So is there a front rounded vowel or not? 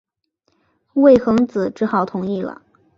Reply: no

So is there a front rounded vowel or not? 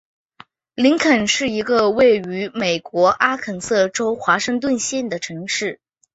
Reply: yes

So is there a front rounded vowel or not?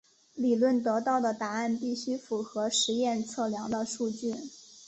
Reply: yes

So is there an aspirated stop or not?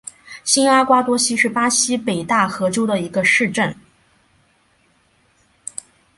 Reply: no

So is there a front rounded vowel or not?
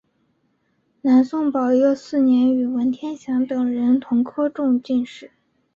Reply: yes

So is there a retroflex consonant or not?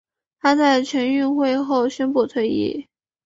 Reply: no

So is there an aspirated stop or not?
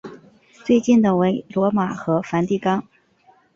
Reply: no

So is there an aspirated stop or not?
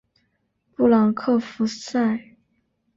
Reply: yes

